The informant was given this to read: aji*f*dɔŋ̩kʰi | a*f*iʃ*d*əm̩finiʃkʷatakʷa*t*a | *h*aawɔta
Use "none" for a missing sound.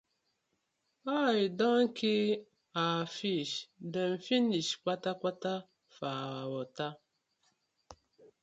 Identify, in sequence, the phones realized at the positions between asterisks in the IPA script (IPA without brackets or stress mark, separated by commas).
none, f, d, t, f